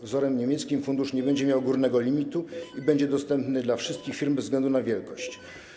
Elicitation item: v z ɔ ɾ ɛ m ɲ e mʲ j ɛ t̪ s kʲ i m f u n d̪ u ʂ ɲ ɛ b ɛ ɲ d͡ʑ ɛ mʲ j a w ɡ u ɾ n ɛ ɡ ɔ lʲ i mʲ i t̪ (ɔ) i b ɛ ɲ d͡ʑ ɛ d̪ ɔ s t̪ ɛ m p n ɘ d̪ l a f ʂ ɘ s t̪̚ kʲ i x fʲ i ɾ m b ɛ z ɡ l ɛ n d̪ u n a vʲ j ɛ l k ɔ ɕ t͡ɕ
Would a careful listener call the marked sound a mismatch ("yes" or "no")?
yes